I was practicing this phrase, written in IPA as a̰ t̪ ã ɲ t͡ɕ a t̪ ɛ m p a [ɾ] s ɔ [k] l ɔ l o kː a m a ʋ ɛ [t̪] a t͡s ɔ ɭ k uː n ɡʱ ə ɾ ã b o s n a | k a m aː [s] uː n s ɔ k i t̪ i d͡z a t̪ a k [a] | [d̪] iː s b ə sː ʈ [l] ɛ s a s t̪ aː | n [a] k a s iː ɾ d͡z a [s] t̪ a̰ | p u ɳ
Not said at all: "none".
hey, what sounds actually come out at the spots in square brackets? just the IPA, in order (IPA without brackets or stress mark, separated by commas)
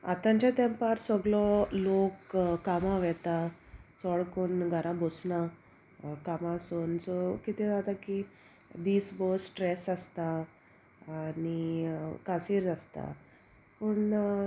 ɾ, ɡ, t̪, s, i, d̪, ɾ, i, s